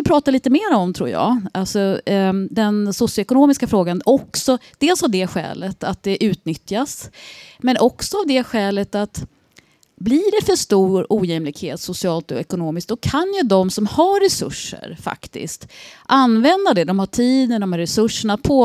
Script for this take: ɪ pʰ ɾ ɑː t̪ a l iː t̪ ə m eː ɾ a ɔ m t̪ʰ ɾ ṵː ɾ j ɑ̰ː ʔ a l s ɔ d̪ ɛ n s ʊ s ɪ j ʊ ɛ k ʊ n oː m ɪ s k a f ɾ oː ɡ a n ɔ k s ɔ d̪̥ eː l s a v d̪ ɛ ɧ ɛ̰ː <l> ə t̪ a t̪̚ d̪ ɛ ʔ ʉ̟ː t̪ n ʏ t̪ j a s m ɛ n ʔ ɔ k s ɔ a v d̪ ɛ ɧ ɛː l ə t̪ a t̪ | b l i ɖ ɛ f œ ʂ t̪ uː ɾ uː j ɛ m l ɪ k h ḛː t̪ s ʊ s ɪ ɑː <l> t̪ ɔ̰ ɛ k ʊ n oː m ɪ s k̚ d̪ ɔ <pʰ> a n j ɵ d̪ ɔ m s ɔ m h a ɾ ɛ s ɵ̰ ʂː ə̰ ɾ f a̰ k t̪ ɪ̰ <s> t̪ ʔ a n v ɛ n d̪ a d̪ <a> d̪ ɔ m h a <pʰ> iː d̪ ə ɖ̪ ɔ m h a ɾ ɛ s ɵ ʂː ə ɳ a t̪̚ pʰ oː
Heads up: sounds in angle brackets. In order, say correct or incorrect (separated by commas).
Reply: correct, correct, incorrect, correct, incorrect, incorrect